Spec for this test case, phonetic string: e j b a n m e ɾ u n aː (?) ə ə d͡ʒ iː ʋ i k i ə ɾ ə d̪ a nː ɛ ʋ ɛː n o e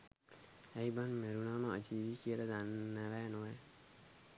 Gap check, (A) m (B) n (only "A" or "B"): A